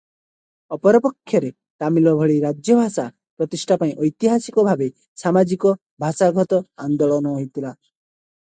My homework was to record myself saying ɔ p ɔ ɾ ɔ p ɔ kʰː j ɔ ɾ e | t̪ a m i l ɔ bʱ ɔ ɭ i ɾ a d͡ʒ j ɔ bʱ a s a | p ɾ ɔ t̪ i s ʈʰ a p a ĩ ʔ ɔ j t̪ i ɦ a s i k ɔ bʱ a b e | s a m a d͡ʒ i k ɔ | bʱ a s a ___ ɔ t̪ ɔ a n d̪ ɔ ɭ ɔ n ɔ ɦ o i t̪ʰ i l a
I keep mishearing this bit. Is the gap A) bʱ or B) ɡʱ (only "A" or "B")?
B